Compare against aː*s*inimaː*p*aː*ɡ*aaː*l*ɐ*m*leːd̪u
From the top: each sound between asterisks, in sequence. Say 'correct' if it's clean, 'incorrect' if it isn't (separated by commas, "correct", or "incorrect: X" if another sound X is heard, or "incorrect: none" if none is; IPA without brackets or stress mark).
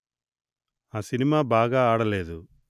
correct, incorrect: b, correct, incorrect: ɽ, incorrect: none